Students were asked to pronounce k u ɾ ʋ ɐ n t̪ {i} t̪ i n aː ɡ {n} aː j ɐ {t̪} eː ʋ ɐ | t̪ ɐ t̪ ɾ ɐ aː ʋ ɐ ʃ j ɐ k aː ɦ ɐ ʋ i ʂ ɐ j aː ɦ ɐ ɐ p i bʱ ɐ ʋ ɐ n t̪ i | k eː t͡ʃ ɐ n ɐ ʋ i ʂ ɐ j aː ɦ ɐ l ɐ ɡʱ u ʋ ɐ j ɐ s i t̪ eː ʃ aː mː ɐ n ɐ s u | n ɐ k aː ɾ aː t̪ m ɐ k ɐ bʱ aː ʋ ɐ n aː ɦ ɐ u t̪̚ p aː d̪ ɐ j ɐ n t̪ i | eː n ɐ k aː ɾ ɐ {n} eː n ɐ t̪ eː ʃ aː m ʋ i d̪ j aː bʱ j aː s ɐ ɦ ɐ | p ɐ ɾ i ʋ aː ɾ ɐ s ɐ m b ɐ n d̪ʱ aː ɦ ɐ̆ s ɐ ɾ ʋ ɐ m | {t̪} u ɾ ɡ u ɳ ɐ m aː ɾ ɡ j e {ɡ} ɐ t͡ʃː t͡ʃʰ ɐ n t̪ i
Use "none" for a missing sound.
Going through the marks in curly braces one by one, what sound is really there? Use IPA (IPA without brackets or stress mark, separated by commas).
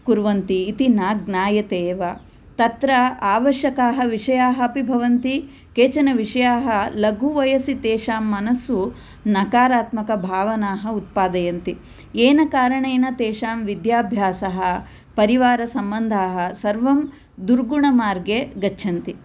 iː, n, t̪, ɳ, d̪, ɡ